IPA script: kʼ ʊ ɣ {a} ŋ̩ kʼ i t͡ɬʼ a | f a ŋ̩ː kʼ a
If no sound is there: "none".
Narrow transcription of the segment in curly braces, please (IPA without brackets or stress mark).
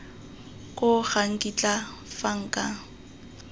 a